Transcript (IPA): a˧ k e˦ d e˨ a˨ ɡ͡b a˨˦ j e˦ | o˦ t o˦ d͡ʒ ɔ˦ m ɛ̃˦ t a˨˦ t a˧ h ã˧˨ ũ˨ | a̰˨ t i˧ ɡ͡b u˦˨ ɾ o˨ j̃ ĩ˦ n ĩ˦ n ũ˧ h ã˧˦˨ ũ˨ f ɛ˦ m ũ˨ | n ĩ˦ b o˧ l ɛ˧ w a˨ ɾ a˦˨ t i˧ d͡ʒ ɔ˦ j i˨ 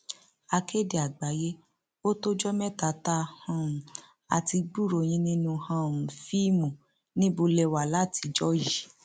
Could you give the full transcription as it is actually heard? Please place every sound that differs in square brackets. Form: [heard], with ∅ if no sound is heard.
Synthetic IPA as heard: a˧ k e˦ d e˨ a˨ ɡ͡b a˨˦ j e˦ | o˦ t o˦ d͡ʒ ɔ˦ m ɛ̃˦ t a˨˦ t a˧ h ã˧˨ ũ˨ | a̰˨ t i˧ ɡ͡b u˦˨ ɾ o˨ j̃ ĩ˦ n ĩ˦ n ũ˧ h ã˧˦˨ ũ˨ f [i˦] m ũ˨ | n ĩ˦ b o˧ l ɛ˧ w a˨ [l] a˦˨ t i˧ d͡ʒ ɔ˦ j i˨